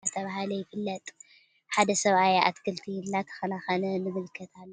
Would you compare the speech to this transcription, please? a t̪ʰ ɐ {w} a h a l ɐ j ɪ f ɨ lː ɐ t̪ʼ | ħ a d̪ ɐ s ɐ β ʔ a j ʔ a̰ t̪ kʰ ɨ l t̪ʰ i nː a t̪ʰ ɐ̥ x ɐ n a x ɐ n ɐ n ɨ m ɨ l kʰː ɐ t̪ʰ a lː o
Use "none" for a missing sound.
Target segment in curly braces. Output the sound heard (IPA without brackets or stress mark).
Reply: β